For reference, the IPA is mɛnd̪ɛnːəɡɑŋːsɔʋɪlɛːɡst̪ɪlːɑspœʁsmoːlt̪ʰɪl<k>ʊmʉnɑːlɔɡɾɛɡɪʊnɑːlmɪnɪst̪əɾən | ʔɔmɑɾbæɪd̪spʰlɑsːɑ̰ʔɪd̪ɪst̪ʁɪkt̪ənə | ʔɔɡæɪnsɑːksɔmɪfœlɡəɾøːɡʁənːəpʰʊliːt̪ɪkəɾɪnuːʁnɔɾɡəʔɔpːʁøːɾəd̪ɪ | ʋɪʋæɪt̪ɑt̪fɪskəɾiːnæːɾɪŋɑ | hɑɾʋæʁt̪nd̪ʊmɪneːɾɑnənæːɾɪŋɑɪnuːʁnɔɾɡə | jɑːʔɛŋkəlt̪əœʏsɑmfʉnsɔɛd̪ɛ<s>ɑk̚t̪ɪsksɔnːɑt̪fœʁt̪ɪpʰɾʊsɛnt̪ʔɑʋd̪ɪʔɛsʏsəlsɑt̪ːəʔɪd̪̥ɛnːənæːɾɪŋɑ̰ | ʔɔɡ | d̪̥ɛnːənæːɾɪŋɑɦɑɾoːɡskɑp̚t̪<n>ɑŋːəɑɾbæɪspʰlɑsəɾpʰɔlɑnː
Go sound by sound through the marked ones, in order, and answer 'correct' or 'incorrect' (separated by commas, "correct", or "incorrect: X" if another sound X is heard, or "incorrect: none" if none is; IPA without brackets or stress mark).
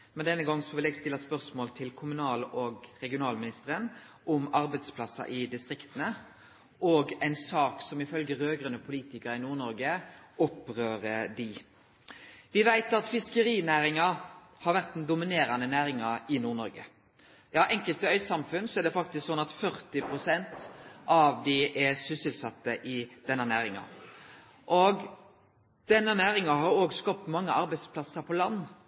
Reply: incorrect: kʰ, incorrect: f, incorrect: m